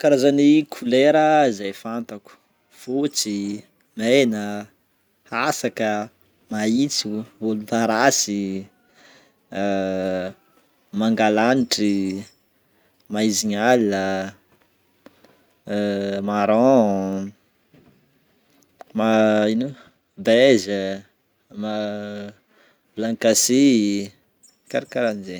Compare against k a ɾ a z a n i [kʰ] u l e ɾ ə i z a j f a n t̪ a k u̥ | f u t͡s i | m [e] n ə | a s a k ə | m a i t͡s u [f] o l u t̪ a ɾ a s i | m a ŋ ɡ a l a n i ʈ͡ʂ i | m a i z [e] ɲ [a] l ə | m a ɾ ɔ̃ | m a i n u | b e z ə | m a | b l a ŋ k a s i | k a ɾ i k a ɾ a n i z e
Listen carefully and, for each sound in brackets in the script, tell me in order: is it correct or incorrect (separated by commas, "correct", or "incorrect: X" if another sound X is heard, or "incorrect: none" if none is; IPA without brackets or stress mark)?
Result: correct, correct, incorrect: v, incorrect: i, correct